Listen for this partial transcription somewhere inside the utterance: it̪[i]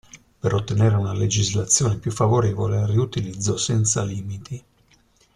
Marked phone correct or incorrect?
correct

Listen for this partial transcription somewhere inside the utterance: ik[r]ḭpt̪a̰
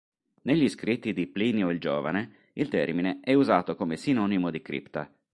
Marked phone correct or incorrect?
incorrect: ɾ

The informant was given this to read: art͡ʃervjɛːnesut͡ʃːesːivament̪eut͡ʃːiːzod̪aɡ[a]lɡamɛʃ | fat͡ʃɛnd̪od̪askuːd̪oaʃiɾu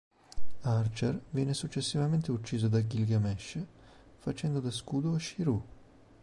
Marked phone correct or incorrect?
incorrect: i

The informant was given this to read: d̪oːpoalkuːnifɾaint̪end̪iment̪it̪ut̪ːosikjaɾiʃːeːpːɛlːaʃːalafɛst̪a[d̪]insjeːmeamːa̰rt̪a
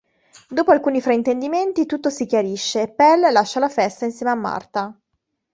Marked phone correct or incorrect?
incorrect: none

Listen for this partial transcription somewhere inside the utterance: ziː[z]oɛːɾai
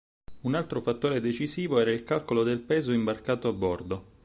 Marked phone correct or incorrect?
incorrect: v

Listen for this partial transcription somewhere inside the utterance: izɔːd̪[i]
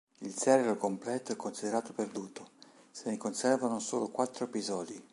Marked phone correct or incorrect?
correct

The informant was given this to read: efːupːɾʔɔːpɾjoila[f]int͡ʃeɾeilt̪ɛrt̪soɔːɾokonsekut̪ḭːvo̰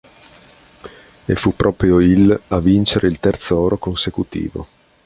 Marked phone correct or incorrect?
incorrect: v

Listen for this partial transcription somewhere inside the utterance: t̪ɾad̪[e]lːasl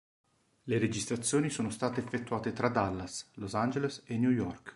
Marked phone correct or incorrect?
incorrect: a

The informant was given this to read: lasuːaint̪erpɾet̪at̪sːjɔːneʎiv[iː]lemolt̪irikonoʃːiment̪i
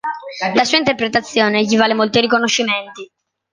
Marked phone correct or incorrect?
incorrect: aː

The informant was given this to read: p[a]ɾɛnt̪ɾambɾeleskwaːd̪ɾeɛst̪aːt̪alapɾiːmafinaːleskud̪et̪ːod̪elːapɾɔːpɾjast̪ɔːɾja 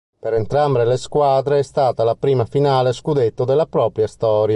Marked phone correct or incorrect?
incorrect: e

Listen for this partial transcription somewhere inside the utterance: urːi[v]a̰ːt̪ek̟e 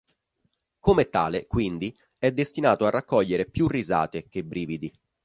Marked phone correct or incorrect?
incorrect: z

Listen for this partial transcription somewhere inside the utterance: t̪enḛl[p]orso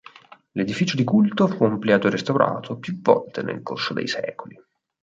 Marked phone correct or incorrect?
incorrect: k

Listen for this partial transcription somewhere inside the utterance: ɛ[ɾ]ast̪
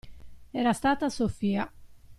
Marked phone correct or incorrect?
correct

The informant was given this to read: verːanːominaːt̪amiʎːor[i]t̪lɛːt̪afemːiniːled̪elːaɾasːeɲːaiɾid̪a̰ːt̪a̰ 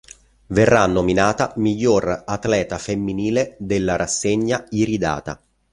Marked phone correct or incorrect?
incorrect: a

